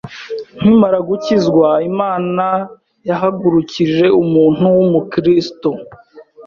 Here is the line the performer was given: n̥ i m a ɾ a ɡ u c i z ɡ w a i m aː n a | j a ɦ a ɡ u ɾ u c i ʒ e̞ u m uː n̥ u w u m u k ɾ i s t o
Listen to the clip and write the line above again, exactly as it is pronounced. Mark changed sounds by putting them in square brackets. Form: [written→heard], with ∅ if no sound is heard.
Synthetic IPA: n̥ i m a ɾ a ɡ u c i z ɡ w a i m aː n a | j a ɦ a ɡ u ɾ u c i ʒ e̞ u m uː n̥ u w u m u k ɾ i s t o